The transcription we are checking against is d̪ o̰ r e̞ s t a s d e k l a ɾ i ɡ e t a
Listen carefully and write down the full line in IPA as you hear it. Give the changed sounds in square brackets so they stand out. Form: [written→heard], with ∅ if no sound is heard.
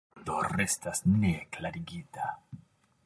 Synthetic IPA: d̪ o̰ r e̞ s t a s [d→n] e k l a ɾ i ɡ [e→i] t a